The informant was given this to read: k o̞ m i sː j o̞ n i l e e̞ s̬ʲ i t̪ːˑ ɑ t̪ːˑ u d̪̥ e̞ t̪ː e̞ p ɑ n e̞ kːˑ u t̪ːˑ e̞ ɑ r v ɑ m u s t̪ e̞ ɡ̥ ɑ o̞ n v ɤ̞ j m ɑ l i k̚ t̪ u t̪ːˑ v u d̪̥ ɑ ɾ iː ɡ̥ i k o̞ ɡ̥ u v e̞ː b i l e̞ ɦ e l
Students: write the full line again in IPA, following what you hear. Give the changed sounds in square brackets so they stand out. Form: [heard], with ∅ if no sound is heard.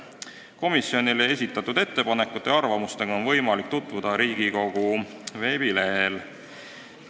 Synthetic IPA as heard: k o̞ m i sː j o̞ n i l e e̞ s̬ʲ i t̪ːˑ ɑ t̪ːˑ u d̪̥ e̞ t̪ː e̞ p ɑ n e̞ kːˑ u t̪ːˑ e̞ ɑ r v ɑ m u s t̪ e̞ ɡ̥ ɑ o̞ n v ɤ̞ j m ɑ l i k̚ t̪ u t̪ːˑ v u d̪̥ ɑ ɾ iː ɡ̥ i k o̞ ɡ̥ u v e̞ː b i l e̞ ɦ e l